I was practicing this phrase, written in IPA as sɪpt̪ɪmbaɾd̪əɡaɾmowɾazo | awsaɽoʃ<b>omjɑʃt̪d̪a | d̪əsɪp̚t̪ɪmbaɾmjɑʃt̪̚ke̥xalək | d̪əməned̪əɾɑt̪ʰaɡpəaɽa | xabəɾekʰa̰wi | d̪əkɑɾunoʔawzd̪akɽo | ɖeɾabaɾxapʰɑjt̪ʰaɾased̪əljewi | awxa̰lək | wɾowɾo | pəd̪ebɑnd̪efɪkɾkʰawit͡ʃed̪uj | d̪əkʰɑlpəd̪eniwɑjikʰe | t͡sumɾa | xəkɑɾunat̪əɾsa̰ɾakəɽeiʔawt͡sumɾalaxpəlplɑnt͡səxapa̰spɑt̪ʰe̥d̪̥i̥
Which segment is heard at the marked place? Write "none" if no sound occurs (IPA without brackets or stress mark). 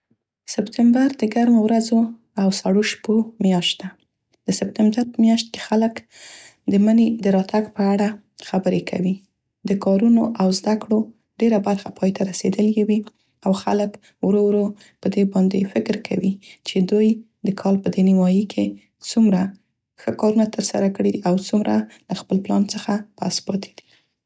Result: p